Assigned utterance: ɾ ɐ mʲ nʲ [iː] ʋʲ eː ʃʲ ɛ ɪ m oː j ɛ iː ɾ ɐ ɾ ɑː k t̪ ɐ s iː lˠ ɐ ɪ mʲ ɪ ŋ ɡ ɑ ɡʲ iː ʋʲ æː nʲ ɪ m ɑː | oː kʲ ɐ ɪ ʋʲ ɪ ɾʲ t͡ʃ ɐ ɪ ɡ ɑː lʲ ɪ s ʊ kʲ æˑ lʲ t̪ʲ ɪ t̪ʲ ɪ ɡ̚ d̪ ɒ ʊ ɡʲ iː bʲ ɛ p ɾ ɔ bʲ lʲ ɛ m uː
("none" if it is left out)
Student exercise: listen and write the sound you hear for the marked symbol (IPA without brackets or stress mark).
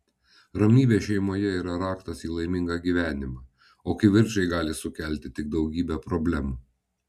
iː